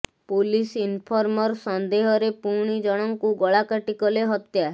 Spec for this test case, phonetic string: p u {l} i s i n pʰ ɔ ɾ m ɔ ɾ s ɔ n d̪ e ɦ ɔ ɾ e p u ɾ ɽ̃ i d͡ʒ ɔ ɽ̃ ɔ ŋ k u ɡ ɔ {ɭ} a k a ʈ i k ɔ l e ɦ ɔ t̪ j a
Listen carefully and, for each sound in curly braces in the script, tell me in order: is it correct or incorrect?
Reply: correct, correct

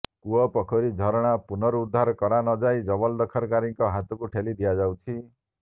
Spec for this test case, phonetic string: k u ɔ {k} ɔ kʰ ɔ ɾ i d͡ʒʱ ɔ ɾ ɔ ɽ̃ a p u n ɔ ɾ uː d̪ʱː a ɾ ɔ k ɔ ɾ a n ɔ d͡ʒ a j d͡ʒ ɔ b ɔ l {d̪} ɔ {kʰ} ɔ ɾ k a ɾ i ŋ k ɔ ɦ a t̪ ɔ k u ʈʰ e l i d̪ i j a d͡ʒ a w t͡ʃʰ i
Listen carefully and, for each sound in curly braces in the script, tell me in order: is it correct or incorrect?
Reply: incorrect: p, correct, correct

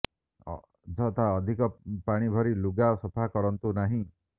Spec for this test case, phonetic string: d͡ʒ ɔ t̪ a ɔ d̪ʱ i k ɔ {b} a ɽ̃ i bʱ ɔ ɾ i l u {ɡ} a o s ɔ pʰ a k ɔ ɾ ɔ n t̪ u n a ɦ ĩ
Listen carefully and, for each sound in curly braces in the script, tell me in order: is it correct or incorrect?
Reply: incorrect: p, correct

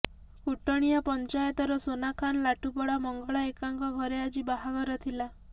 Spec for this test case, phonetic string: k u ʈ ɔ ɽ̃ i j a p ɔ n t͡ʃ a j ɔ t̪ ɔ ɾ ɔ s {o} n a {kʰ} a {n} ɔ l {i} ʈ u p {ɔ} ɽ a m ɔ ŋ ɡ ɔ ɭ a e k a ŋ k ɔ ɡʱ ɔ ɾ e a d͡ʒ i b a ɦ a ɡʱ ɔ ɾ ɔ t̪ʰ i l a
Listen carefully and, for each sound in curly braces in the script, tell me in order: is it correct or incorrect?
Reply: correct, correct, correct, incorrect: a, correct

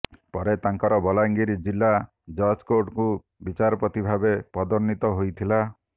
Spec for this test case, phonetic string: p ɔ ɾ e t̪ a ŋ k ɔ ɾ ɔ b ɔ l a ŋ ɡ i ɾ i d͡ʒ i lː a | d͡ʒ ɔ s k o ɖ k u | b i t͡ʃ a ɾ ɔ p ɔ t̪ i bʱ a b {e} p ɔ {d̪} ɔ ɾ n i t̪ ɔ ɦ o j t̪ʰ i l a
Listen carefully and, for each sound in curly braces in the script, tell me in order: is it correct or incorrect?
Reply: correct, correct

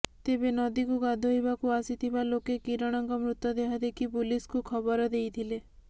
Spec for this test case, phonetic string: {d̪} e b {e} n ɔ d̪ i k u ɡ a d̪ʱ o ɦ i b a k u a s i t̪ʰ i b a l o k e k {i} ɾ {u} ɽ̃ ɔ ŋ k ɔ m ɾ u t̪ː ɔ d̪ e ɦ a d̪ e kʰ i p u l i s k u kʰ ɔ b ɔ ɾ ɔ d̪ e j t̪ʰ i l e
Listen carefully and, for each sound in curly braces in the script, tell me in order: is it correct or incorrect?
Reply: incorrect: t̪, correct, correct, incorrect: ɔ

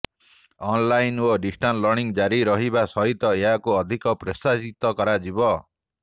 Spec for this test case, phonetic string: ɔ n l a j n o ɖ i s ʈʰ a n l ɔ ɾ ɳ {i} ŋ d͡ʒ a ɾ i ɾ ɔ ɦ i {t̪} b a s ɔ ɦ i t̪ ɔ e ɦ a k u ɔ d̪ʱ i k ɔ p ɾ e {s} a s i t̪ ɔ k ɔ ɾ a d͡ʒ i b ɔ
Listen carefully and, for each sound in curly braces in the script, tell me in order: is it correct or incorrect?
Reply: correct, incorrect: none, correct

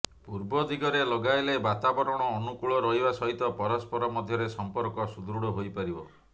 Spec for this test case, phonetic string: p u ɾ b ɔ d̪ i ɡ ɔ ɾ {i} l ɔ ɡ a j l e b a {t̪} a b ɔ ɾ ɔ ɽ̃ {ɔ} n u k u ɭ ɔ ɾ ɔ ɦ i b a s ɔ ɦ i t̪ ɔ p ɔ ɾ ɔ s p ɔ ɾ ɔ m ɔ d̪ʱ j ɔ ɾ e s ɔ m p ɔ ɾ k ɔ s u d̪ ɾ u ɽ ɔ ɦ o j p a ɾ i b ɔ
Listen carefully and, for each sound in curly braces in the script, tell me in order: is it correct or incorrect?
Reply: incorrect: e, correct, incorrect: ɔː

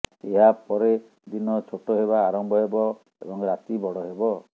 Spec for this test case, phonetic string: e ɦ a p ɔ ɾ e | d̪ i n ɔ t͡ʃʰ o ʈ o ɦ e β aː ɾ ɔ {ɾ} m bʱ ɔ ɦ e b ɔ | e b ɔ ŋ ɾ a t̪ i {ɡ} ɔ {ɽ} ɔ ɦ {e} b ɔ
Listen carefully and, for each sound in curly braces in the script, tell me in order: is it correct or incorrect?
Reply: incorrect: none, incorrect: b, correct, correct

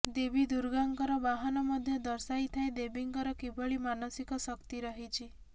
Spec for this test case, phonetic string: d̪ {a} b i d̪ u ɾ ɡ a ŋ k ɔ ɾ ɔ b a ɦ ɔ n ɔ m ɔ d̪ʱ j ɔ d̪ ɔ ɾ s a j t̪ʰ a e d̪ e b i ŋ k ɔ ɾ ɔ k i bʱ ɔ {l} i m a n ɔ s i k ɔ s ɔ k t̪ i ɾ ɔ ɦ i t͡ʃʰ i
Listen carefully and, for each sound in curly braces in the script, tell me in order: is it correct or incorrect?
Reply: incorrect: e, incorrect: ɭ

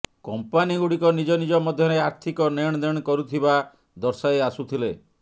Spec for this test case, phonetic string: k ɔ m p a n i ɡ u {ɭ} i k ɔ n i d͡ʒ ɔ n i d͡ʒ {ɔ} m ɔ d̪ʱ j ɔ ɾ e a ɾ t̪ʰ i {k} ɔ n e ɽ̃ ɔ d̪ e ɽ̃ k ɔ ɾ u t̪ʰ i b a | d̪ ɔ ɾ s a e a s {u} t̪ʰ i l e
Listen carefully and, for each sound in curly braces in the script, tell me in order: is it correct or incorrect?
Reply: incorrect: ɽ, correct, correct, correct

